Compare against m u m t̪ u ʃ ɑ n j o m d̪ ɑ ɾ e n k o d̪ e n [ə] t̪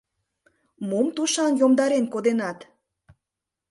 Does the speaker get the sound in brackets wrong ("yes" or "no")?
yes